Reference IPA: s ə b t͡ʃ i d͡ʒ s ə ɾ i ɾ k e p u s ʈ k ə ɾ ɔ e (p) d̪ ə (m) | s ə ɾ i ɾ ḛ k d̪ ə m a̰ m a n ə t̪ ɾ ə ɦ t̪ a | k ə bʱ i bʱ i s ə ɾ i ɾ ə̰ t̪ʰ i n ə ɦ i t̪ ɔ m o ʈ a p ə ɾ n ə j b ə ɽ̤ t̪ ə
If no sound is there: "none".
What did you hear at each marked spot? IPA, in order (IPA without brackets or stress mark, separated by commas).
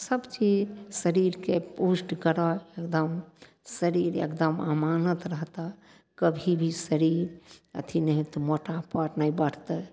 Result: k, m